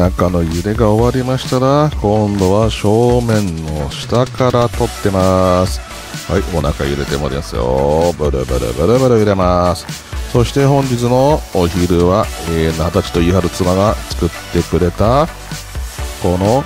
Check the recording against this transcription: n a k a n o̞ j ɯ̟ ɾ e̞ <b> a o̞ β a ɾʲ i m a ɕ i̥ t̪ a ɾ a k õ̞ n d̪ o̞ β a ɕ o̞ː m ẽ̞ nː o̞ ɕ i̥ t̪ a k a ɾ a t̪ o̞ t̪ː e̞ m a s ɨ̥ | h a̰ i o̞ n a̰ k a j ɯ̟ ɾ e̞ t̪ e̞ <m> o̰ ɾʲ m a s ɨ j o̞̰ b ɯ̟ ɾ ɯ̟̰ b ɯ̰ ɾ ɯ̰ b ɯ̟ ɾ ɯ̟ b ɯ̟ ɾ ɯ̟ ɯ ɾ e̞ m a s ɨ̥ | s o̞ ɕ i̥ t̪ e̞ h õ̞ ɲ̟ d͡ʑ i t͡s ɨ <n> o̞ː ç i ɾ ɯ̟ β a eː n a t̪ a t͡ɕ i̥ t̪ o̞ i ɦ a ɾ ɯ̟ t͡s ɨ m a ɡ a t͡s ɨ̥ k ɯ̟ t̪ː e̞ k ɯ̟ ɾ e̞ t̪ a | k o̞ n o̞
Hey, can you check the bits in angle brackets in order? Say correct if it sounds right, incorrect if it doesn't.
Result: incorrect, correct, correct

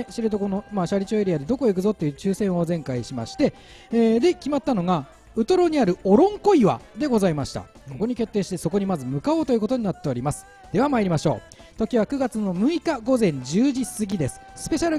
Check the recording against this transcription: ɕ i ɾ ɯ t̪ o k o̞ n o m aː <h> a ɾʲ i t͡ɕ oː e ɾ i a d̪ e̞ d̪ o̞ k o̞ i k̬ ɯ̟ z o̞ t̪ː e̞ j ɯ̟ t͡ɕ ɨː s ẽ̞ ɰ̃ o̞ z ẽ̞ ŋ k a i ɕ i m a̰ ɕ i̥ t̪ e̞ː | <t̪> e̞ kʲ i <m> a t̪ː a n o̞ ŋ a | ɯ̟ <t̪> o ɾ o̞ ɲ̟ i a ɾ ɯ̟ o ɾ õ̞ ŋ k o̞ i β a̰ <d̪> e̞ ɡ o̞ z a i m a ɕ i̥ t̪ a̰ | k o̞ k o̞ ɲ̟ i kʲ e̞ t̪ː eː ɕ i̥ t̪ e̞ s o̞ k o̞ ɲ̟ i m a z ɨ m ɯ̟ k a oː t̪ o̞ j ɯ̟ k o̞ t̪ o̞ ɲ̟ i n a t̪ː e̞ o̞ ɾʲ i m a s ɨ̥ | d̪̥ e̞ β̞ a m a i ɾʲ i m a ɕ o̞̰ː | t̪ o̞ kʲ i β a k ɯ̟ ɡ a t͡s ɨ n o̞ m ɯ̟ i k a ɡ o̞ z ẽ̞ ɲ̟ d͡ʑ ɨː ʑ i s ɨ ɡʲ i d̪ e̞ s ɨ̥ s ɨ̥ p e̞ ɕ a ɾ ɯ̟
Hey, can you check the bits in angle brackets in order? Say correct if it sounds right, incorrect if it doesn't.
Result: incorrect, incorrect, correct, correct, correct

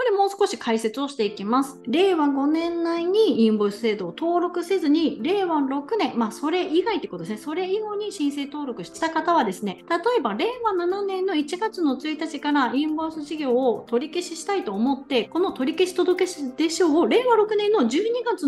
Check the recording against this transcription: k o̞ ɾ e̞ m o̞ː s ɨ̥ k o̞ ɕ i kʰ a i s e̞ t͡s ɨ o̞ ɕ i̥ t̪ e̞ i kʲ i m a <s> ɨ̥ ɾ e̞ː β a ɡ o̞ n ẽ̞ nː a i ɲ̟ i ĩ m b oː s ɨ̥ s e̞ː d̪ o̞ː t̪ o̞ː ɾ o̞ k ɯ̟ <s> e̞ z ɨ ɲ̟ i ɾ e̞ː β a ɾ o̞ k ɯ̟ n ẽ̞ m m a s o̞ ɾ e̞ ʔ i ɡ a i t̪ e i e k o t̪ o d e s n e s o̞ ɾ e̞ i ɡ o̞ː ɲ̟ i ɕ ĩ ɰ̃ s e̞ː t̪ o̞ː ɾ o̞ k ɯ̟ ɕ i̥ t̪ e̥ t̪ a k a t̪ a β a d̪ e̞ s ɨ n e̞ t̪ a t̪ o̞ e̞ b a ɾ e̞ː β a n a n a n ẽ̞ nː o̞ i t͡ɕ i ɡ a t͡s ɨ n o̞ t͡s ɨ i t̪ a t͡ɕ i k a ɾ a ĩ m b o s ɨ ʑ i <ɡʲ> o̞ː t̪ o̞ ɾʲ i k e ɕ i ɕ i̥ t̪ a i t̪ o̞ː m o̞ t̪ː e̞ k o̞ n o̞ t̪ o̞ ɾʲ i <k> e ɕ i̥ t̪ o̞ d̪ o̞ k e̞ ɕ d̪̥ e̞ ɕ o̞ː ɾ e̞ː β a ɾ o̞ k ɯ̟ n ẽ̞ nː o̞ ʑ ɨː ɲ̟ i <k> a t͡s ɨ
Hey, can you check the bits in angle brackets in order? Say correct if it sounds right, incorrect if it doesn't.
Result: correct, correct, correct, correct, incorrect

